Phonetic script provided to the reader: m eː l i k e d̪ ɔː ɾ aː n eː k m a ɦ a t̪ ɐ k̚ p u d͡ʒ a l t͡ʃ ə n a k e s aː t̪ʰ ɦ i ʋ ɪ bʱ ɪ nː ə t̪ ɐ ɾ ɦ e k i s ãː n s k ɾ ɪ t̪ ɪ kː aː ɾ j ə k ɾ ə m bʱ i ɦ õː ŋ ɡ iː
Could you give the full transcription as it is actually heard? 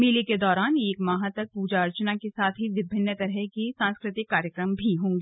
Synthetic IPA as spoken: m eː l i k e d̪ ɔː ɾ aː n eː k m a ɦ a t̪ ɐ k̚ p uː d͡ʒ a ɾ t͡ʃ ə n a k e s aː t̪ʰ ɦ i ʋ ɪ bʱ ɪ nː ə t̪ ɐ ɾ ɦ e k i s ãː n s k ɾ ɪ t̪ ɪ kː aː ɾ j ə k ɾ ə m bʱ i ɦ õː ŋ ɡ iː